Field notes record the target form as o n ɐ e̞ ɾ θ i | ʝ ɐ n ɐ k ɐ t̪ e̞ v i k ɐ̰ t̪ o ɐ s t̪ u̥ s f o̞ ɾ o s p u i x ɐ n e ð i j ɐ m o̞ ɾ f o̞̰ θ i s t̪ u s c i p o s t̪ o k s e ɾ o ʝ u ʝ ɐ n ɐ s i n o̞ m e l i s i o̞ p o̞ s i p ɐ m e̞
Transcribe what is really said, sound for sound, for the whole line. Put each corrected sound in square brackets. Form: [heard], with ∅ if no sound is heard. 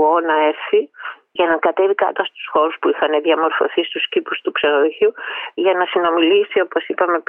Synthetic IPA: o n ɐ e̞ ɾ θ i | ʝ ɐ n ɐ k ɐ t̪ e̞ v i k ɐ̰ t̪ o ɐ s t̪ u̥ s [x] o̞ ɾ [u] s p u i x ɐ n e ð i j ɐ m o̞ ɾ f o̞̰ θ i s t̪ u s c i p [u] s t̪ [u] k s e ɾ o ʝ u ʝ ɐ n ɐ s i n o̞ m [i] l i s i o̞ p o̞ s i p ɐ m e̞